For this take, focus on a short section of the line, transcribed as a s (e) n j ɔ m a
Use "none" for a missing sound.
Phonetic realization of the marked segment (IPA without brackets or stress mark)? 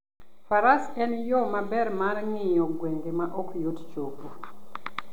ɛ